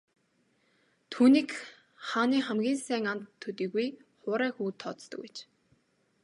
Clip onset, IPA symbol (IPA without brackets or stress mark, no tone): t̪ʰ